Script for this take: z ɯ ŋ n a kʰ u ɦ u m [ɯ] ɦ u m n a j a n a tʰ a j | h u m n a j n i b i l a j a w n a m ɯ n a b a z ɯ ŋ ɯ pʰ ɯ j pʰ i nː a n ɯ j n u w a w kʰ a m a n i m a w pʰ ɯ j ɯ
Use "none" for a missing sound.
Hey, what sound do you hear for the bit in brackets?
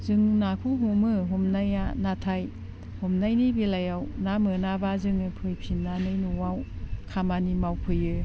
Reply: ɯ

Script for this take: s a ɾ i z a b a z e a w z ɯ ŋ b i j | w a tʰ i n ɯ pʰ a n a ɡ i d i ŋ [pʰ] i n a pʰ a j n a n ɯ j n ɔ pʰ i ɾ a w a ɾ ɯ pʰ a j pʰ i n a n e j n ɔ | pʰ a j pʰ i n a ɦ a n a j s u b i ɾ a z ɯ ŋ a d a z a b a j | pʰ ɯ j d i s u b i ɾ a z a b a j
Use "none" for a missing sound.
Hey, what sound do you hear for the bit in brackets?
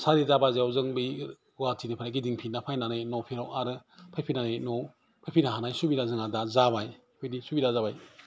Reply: pʰ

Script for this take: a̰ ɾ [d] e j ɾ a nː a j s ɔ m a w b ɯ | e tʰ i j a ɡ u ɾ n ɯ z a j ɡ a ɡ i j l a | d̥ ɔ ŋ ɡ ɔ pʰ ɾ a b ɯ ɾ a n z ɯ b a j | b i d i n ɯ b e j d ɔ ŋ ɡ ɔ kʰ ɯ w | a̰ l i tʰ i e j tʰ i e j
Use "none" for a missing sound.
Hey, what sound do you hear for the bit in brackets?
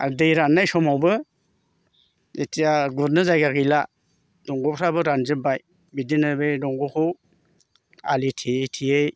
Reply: d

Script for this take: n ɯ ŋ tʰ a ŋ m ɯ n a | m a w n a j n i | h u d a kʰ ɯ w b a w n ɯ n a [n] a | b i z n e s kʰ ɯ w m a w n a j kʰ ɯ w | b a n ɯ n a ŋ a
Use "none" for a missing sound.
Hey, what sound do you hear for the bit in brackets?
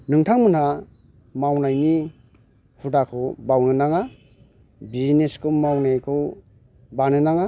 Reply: ŋ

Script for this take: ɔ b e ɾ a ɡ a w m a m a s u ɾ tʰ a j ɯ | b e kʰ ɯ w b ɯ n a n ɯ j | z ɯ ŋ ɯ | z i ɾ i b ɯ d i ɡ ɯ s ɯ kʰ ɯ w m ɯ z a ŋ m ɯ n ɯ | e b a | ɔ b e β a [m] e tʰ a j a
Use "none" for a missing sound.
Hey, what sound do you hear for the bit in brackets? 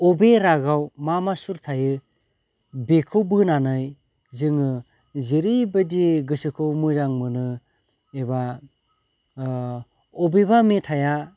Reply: m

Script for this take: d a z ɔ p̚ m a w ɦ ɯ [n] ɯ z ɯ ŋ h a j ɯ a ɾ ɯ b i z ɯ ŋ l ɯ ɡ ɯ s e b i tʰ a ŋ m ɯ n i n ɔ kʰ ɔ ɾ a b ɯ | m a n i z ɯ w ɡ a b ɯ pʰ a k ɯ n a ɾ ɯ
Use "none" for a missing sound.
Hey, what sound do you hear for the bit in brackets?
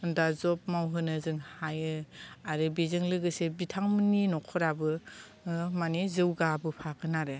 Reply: n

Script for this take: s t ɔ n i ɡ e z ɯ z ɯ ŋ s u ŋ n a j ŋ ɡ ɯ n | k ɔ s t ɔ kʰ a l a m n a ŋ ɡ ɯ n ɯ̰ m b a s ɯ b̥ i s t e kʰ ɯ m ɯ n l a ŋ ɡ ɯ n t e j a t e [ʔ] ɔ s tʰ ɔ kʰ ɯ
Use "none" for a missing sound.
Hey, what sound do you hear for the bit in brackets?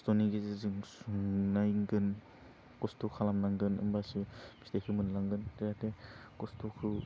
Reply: k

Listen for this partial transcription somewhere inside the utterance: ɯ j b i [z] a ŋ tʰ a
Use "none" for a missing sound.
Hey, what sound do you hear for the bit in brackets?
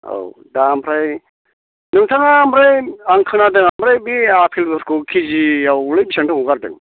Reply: s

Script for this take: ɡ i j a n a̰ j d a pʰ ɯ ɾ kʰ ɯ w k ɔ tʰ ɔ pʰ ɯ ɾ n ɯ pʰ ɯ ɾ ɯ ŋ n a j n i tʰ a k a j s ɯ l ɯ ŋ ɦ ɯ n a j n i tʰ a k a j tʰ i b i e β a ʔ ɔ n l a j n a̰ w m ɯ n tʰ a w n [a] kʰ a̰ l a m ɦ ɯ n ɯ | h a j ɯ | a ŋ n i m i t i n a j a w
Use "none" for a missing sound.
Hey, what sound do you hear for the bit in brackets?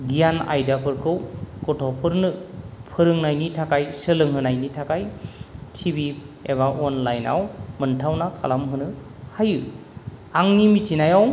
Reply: a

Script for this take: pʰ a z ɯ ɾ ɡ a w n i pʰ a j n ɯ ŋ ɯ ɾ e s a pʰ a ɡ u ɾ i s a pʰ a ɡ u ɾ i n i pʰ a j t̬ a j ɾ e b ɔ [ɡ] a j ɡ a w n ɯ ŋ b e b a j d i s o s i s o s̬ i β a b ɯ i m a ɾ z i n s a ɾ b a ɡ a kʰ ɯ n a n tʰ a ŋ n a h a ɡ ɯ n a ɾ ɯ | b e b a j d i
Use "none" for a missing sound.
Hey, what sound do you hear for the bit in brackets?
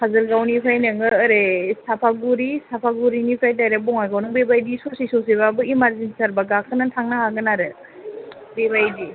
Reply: ŋ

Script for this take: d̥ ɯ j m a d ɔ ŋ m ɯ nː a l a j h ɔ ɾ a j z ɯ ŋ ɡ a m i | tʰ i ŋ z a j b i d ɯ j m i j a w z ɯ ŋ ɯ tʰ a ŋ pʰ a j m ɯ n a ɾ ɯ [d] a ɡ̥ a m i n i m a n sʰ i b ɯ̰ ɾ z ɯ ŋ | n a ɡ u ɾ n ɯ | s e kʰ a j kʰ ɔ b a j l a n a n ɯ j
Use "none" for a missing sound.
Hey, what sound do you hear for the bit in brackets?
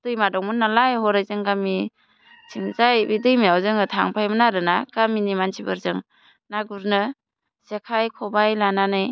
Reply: n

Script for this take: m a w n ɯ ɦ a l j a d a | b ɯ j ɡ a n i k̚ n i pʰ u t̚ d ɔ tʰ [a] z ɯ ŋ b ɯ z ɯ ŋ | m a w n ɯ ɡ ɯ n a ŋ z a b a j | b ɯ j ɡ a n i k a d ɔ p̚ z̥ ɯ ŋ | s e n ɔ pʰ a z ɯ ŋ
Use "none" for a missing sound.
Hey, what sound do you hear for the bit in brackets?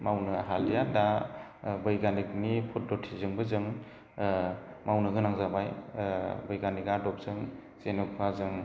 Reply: i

